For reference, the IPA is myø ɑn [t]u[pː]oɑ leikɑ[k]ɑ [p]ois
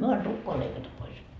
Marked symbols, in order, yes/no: yes, no, no, yes

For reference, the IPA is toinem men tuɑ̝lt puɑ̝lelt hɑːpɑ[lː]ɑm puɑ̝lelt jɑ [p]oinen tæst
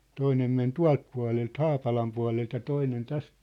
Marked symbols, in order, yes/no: no, no

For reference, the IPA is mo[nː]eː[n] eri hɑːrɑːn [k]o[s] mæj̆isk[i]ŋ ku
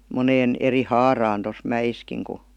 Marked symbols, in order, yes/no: no, yes, no, yes, yes

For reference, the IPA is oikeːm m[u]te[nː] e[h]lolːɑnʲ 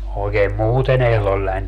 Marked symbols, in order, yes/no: no, no, yes

